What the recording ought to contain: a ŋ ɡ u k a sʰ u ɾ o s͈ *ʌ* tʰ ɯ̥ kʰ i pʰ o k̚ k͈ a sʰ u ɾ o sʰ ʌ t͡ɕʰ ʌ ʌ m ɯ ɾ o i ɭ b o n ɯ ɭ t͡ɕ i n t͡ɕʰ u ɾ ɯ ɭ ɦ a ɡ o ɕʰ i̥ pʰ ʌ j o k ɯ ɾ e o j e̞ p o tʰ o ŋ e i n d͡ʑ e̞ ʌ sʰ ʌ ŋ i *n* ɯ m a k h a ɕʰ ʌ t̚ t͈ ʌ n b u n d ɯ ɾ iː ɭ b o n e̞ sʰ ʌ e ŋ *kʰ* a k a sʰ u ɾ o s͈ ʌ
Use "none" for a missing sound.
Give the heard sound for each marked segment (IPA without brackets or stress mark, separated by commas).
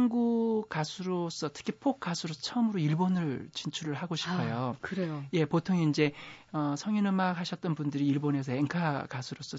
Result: ʌ, n, kʰ